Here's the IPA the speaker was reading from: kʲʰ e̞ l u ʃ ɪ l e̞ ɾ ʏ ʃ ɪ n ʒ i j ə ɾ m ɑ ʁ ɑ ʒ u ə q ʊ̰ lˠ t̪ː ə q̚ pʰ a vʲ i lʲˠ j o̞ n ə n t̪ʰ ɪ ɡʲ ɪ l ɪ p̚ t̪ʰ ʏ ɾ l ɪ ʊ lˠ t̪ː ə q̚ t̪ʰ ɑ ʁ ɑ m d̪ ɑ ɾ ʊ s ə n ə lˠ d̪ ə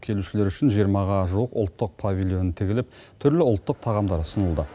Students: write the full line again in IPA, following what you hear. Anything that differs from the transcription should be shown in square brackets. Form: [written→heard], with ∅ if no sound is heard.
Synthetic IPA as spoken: kʲʰ e̞ l u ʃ ɪ l e̞ ɾ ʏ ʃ ɪ n ʒ i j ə ɾ m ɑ ʁ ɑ ʒ u ə q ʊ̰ lˠ t̪ː ə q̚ pʰ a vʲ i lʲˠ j o̞ n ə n t̪ʰ ɪ ɡʲ ɪ l ɪ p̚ t̪ʰ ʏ ɾ l ɪ ʊ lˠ t̪ː ə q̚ t̪ʰ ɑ ʁ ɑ m d̪ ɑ ɾ ʊ s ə n ə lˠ d̪ ə